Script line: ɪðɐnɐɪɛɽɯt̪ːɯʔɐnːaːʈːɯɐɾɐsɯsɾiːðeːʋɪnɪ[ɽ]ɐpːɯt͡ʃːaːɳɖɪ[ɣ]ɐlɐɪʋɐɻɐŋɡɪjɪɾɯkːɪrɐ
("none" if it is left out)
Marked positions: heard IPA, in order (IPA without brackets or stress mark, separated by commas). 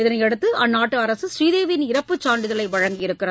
ɾ, ð